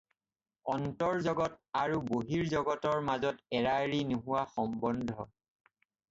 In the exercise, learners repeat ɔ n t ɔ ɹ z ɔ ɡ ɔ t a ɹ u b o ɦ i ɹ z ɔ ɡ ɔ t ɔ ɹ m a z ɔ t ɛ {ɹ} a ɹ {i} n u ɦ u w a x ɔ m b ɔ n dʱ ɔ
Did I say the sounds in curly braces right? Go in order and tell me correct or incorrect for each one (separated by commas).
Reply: correct, correct